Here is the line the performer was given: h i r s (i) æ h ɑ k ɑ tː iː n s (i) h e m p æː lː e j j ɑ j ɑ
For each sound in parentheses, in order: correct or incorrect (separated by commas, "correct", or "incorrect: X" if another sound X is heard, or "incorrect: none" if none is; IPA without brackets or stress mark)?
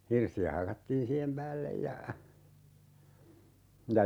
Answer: correct, incorrect: iː